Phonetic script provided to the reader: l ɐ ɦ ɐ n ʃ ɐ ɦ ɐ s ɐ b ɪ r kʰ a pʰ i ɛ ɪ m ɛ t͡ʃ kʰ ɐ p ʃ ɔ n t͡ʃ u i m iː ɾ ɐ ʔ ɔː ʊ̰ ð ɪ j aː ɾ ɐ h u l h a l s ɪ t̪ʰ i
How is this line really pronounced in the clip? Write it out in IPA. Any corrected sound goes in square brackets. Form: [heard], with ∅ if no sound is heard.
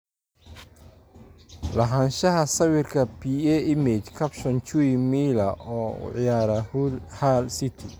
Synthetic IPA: l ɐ ɦ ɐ n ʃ ɐ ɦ ɐ s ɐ [w] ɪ r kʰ [ɐ] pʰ i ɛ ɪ m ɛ t͡ʃ kʰ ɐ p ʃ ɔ n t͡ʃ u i m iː [l] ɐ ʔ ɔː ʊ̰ [ʕ] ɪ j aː ɾ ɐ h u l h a l s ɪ t̪ʰ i